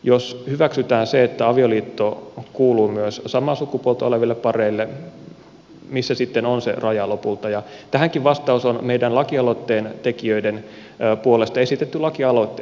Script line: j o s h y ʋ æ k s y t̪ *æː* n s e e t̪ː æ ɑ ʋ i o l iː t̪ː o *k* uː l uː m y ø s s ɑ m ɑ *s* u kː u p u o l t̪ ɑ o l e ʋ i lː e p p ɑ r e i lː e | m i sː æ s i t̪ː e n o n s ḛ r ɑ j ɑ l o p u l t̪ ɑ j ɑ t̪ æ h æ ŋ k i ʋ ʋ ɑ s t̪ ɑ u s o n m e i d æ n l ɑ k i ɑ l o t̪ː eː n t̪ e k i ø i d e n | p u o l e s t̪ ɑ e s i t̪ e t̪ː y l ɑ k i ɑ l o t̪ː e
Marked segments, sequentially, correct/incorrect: correct, correct, correct

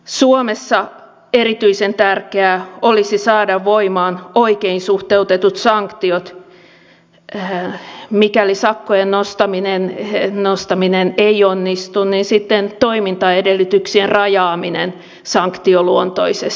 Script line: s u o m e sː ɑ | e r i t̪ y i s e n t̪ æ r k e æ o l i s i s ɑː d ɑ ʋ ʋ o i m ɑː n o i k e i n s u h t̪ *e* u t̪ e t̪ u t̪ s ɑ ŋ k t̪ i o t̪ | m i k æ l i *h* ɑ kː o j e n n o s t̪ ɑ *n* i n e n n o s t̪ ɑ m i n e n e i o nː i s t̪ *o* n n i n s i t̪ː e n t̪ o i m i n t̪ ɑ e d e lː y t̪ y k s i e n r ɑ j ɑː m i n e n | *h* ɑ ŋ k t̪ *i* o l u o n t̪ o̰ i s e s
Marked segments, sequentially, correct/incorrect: correct, incorrect, incorrect, incorrect, incorrect, correct

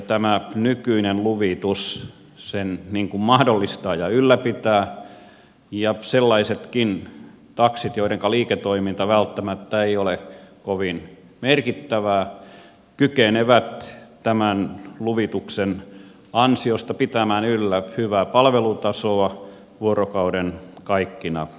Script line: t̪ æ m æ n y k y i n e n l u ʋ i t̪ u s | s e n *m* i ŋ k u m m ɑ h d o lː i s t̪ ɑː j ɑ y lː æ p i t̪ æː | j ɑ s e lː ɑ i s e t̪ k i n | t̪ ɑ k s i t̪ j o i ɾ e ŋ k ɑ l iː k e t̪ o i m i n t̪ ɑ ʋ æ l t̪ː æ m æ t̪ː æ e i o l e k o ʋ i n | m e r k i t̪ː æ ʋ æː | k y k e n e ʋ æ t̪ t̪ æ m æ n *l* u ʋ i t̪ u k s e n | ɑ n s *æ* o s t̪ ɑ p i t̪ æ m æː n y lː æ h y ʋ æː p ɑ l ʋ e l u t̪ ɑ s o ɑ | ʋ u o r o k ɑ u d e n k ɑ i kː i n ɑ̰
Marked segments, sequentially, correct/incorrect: incorrect, correct, incorrect

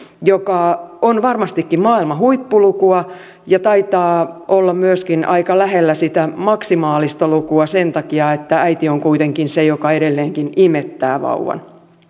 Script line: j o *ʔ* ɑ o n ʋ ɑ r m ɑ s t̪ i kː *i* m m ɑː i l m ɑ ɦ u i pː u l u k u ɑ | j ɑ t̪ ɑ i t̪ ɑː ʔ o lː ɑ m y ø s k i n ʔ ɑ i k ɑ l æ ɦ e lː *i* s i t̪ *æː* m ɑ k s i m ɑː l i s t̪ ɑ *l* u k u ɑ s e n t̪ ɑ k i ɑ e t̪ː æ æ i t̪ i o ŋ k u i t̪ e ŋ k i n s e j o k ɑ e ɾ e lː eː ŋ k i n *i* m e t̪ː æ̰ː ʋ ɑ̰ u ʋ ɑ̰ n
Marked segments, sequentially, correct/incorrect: incorrect, correct, incorrect, incorrect, correct, correct

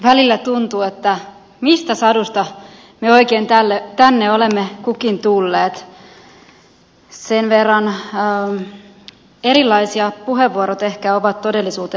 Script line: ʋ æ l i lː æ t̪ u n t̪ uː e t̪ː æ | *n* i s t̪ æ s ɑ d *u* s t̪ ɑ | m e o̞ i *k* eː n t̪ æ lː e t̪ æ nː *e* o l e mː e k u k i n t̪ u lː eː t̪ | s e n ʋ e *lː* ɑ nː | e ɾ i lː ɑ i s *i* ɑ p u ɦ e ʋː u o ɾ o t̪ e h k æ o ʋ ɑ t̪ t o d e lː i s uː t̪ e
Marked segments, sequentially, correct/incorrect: incorrect, correct, correct, correct, incorrect, correct

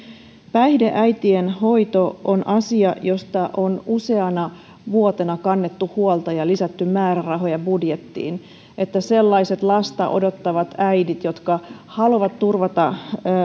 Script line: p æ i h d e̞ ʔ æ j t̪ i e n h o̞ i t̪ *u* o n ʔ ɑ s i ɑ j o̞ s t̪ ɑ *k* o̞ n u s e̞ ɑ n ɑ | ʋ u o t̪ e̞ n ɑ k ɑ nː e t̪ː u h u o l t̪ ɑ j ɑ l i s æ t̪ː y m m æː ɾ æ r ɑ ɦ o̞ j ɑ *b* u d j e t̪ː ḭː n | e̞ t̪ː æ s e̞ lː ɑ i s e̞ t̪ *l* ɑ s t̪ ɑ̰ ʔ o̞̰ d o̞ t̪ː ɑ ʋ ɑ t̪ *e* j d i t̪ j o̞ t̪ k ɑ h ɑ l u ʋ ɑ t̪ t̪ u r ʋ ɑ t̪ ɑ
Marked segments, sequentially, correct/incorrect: incorrect, incorrect, correct, correct, incorrect

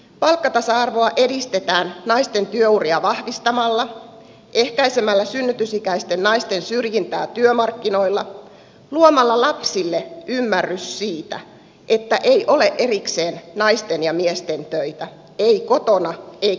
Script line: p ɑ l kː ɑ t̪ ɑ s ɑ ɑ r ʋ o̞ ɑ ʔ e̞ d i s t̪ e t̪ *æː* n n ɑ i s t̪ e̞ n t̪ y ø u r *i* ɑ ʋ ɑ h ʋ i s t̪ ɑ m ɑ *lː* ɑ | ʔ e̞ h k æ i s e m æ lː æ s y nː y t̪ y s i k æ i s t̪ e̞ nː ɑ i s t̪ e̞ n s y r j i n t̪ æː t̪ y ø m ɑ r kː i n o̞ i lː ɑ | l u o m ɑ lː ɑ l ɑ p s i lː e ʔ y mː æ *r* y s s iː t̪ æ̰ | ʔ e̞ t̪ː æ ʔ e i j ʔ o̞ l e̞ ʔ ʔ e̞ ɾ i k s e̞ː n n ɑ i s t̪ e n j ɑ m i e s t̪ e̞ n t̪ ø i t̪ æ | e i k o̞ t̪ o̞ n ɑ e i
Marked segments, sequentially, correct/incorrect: correct, correct, correct, incorrect

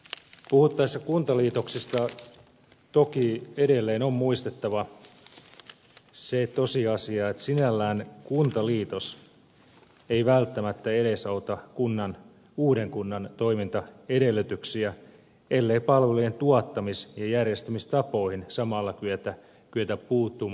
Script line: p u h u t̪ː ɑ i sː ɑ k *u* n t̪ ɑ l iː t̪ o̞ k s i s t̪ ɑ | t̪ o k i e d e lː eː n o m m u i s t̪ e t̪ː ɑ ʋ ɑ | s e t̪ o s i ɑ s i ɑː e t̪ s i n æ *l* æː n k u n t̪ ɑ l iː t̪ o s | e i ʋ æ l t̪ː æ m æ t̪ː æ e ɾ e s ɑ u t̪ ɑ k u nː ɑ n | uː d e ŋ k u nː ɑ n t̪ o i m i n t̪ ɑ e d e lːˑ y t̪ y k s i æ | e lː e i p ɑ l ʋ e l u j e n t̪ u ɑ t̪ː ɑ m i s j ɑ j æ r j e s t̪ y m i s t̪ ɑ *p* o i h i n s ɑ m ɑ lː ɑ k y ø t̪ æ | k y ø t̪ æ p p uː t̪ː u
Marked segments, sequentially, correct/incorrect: correct, incorrect, correct

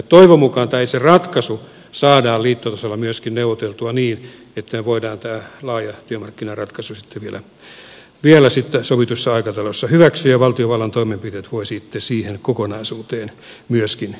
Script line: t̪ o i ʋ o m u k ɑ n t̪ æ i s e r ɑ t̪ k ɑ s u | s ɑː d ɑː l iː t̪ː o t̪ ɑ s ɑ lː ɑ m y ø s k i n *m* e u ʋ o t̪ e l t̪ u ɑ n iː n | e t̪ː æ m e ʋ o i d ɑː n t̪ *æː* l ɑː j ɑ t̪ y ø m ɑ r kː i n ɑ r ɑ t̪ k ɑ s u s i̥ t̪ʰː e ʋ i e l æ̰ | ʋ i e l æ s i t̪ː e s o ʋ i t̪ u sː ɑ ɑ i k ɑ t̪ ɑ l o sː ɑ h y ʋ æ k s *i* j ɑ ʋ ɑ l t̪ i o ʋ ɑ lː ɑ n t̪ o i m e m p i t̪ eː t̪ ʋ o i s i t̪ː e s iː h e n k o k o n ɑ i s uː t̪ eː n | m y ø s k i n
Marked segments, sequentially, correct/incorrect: incorrect, correct, incorrect

